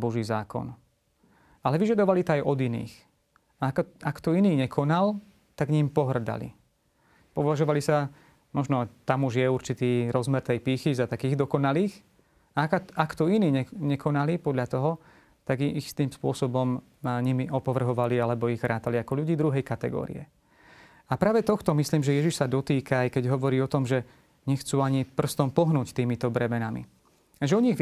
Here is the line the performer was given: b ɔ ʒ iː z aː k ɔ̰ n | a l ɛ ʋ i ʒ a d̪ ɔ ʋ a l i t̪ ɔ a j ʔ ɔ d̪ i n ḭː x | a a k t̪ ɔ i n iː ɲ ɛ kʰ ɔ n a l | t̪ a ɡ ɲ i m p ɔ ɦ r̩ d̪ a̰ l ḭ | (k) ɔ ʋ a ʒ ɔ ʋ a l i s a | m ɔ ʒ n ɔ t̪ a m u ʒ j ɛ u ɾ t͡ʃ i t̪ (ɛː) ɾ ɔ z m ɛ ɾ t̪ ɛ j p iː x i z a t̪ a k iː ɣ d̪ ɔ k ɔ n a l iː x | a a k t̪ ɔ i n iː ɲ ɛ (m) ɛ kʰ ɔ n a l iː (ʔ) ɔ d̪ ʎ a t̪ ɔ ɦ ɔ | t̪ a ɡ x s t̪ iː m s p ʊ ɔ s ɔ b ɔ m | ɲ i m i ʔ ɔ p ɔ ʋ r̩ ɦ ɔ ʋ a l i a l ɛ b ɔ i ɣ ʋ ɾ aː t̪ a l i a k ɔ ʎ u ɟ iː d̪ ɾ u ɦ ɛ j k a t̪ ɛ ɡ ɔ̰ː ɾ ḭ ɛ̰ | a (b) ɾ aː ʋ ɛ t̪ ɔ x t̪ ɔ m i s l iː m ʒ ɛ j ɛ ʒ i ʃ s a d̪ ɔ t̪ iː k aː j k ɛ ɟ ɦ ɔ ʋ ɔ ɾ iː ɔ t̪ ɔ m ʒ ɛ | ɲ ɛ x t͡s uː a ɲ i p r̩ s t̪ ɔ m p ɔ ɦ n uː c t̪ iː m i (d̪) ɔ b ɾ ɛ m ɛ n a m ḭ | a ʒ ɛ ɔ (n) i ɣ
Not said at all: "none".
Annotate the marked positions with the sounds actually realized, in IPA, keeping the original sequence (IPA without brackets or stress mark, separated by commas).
p, iː, ɲ, p, p, t̪, ɲ